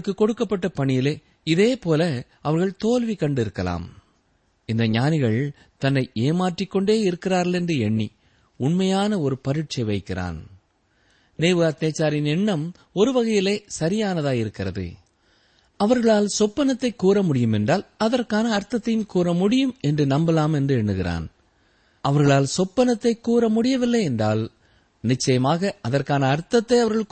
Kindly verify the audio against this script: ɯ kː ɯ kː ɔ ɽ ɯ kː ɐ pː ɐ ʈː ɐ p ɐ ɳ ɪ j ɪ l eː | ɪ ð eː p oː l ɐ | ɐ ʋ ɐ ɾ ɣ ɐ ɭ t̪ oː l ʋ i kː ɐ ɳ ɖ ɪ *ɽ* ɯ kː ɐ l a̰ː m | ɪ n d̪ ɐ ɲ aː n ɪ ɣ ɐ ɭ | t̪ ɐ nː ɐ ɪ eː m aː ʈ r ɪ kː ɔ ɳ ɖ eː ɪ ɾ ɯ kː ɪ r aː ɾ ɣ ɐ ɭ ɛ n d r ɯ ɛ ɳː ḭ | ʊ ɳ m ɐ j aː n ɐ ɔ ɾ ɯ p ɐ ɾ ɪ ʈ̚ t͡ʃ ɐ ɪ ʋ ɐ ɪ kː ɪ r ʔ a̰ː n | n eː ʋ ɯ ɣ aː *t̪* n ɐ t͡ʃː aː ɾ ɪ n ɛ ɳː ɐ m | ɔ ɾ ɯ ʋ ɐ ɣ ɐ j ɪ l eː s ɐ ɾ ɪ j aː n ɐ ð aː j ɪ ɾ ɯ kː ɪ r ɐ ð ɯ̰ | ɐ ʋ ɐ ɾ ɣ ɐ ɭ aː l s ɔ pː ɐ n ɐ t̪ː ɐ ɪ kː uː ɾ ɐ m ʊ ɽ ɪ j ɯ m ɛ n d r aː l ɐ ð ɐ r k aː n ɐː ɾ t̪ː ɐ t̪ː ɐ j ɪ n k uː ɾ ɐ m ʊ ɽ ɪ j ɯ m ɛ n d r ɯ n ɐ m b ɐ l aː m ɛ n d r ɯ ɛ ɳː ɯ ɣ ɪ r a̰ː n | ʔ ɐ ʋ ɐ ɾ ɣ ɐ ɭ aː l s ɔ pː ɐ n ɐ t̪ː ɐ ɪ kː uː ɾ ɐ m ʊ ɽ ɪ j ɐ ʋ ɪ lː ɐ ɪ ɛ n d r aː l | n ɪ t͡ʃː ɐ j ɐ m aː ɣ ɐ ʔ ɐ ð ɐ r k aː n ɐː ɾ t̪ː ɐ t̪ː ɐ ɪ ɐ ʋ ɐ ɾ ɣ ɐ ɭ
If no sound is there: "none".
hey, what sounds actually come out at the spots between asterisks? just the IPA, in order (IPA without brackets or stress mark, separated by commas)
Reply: ɾ, t̪